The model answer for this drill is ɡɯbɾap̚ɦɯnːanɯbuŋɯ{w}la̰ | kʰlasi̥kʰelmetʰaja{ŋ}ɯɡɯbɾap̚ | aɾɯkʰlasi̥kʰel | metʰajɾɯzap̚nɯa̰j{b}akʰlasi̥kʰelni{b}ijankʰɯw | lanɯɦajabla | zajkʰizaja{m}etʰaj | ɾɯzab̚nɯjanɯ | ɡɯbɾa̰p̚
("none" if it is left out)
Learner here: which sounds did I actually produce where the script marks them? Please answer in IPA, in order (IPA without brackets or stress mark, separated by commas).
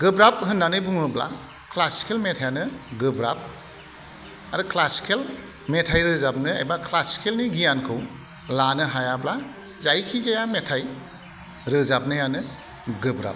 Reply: b, n, b, ɡ, m